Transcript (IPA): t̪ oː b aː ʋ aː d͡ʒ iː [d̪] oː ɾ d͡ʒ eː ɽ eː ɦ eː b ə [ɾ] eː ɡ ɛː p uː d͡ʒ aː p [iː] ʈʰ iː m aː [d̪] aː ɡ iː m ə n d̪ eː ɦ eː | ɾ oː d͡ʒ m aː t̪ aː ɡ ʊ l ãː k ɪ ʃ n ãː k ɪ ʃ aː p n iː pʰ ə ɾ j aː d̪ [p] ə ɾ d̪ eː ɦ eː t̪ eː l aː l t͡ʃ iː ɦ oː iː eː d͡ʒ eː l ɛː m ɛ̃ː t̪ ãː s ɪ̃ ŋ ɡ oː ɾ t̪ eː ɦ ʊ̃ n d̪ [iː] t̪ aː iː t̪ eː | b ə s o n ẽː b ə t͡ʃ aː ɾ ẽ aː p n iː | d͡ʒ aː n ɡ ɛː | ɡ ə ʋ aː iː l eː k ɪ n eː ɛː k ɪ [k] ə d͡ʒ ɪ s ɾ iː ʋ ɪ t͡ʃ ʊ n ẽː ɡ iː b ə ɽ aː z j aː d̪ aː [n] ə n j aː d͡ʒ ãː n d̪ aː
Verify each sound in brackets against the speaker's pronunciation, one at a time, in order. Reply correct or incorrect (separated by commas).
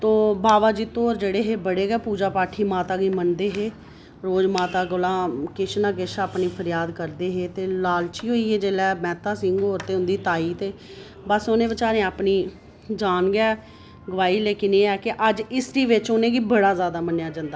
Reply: incorrect, incorrect, incorrect, incorrect, incorrect, correct, incorrect, incorrect